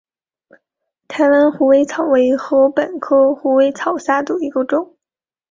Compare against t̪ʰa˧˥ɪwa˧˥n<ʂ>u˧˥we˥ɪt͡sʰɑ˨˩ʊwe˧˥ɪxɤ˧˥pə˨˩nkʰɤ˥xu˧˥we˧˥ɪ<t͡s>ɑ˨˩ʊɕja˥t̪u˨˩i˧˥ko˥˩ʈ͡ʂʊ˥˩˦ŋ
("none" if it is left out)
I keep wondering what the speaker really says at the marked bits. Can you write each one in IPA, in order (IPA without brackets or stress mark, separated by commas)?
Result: x, t͡sʰ